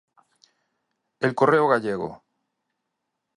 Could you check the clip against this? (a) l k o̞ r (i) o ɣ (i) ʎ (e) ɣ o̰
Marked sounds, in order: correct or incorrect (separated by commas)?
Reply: incorrect, incorrect, incorrect, correct